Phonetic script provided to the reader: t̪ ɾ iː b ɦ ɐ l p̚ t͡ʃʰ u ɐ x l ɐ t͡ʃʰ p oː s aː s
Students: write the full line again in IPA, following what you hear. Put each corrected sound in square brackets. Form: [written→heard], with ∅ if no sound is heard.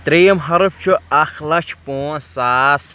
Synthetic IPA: t̪ ɾ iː [b→m] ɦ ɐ [l→ɾ] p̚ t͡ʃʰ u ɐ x l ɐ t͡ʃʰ p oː s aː s

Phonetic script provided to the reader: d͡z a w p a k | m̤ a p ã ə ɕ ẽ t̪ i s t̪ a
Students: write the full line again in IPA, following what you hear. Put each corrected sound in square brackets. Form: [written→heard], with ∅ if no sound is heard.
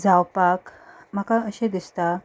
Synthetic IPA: d͡z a w p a k | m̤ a [p→k] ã ə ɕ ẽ [t̪→d̪] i s t̪ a

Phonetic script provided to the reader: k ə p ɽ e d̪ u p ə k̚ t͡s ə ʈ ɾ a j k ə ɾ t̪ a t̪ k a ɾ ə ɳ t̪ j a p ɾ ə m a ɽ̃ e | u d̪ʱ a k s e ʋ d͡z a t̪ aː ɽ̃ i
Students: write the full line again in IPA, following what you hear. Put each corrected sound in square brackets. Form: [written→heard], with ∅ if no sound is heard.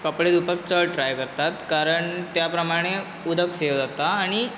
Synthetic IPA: k ə p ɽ e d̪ u p ə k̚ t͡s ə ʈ ɾ a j k ə ɾ t̪ a t̪ k a ɾ ə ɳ t̪ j a p ɾ ə m a ɽ̃ e | u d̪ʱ [a→ə] k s e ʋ d͡z a t̪ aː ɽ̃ i

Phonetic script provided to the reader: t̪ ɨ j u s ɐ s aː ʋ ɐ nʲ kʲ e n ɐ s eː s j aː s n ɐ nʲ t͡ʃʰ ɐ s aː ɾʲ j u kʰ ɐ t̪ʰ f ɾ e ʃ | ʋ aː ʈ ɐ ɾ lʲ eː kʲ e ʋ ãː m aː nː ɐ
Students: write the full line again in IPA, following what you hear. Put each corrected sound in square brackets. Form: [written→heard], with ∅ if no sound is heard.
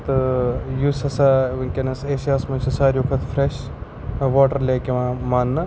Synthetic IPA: t̪ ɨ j u s ɐ s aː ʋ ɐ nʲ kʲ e n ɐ s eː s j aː s [n→m] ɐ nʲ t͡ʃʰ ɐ s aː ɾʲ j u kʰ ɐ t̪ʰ f ɾ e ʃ | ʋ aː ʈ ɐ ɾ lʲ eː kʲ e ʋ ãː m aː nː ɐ

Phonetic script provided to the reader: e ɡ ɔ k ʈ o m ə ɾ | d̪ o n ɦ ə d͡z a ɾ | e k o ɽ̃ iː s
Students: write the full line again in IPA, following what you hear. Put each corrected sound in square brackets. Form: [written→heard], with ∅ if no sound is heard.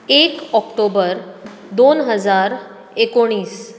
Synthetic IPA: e [ɡ→k] ɔ k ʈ o [m→b] ə ɾ | d̪ o n ɦ ə d͡z a ɾ | e k o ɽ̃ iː s

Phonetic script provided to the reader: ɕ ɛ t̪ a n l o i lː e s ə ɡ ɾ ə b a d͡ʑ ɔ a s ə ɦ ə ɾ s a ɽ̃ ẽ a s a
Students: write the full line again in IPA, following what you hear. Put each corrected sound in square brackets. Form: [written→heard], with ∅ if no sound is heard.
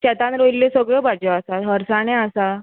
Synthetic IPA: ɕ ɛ t̪ a n [l→ɾ] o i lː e s ə ɡ [ɾ→ɭ] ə b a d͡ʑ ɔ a s [ə→a] ɦ ə ɾ s a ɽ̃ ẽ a s a

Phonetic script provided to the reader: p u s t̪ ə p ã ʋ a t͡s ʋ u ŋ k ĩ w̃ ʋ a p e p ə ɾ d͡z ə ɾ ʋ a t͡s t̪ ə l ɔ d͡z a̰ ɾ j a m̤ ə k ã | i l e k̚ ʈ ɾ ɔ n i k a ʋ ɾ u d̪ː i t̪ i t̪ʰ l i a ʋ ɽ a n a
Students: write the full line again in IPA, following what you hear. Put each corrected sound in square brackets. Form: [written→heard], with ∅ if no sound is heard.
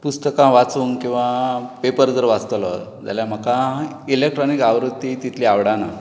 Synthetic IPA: p u s t̪ ə [p→k] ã ʋ a t͡s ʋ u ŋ k ĩ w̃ ʋ a p e p ə ɾ d͡z ə ɾ ʋ a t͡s t̪ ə l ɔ d͡z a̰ [ɾ→l] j a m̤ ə k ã | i l e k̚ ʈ ɾ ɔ n i k a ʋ ɾ u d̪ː i t̪ i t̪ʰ l i a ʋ ɽ a n a

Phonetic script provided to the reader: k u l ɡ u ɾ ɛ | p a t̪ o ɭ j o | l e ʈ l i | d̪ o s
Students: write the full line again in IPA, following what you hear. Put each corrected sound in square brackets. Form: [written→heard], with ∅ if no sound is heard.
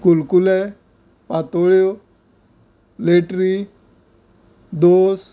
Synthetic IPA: k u l [ɡ→k] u [ɾ→l] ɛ | p a t̪ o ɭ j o | l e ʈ [l→ɾ] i | d̪ o s

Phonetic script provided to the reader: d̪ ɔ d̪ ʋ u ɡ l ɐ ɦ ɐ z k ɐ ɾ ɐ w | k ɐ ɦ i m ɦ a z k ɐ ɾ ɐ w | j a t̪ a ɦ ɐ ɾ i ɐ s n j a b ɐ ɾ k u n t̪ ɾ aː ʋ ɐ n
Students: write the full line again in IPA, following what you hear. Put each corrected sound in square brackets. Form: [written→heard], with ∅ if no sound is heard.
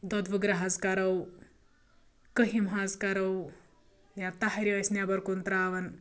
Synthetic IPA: d̪ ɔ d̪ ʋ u ɡ [l→ɾ] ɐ ɦ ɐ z k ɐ ɾ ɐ w | k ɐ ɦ i m ɦ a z k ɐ ɾ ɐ w | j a t̪ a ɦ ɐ ɾ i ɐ s n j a b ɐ ɾ k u n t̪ ɾ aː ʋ ɐ n

